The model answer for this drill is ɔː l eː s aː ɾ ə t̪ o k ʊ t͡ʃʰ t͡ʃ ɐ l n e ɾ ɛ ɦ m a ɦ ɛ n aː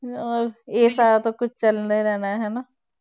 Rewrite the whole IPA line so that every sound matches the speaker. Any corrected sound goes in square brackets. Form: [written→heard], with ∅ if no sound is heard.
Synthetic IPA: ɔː [l→ɾ] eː s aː ɾ [ə→a] t̪ o k ʊ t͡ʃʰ t͡ʃ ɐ l n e ɾ ɛ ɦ [m→n] a ɦ ɛ n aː